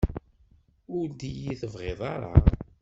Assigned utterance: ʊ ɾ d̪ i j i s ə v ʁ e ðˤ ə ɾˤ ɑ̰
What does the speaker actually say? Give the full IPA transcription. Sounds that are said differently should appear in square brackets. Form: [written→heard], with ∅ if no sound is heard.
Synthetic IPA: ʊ ɾ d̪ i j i [s→θ] ə v ʁ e ðˤ [ə→ɑ] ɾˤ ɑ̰

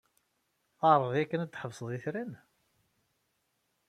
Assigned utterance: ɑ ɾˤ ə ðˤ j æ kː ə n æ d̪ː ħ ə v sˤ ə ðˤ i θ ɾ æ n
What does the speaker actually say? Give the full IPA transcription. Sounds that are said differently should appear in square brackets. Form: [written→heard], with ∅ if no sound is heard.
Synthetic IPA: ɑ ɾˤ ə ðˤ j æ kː ə n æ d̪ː ħ ə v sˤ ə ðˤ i θ ɾ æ n

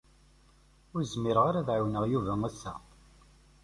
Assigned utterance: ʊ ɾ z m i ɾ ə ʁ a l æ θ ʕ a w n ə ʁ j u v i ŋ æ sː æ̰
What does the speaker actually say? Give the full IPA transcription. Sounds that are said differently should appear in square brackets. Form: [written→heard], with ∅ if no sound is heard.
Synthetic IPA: ʊ ɾ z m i ɾ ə ʁ a [l→ɾ] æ [θ→ð] ʕ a w n ə ʁ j u v [i→æ] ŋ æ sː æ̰

